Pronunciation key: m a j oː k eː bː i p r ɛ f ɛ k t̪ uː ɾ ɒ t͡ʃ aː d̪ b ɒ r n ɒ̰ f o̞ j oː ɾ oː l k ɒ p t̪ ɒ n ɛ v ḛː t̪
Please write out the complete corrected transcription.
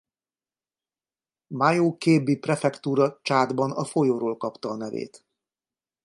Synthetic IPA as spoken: m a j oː k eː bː i p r ɛ f ɛ k t̪ uː ɾ ɒ t͡ʃ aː d̪ b ɒ n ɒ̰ f o̞ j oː ɾ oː l k ɒ p t̪ ɒː n ɛ v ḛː t̪